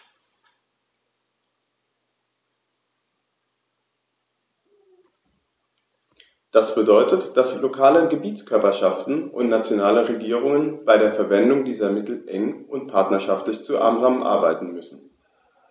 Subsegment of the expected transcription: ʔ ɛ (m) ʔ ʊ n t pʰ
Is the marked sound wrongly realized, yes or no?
yes